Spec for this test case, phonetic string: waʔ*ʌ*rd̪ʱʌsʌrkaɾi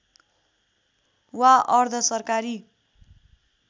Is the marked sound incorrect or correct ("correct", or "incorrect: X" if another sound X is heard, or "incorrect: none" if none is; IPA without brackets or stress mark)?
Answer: correct